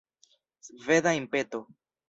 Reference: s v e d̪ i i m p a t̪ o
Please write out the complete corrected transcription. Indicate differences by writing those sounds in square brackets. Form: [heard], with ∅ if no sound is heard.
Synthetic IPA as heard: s v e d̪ [a] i m p [e] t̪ o